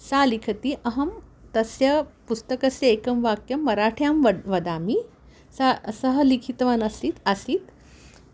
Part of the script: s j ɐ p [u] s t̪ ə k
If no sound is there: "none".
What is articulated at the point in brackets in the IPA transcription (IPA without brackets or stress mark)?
u